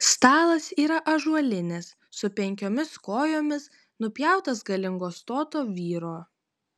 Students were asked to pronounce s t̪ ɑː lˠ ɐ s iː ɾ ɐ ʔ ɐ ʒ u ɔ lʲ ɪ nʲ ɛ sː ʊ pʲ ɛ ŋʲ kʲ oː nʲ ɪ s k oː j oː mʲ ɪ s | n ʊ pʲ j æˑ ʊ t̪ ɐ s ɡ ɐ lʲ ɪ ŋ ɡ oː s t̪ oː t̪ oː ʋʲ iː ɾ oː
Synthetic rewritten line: s t̪ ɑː lˠ ɐ s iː ɾ ɐ ʔ ɐ ʒ u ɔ lʲ ɪ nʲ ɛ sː ʊ pʲ ɛ ŋʲ kʲ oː mʲ ɪ s k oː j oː mʲ ɪ s | n ʊ pʲ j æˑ ʊ t̪ ɐ s ɡ ɐ lʲ ɪ ŋ ɡ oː s t̪ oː t̪ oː ʋʲ iː ɾ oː